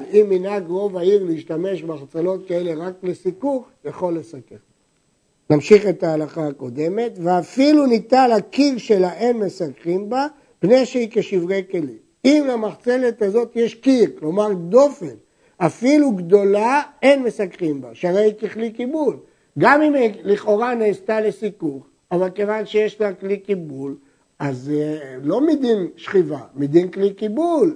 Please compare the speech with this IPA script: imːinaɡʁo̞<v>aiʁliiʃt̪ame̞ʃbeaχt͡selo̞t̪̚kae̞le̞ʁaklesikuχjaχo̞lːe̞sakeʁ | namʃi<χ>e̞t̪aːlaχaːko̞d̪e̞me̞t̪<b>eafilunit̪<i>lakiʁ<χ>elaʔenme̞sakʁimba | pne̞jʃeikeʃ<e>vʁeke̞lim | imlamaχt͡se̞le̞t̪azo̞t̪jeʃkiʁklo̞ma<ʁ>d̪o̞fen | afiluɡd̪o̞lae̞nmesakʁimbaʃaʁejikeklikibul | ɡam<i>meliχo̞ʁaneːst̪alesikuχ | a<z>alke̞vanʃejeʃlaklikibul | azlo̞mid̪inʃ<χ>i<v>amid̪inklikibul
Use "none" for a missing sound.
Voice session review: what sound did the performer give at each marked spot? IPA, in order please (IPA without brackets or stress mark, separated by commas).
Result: v, χ, v, a, ʃ, i, ʁ, i, v, χ, v